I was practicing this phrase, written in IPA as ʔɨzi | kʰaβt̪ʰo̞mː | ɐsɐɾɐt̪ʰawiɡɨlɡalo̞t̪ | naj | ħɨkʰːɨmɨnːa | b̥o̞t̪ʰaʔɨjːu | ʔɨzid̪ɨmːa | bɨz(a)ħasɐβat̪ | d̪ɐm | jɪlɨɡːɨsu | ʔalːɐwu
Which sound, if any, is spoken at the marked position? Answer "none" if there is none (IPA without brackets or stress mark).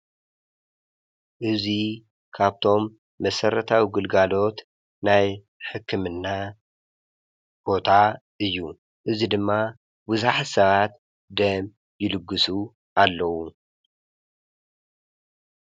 a